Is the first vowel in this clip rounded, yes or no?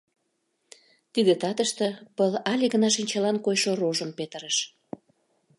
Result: no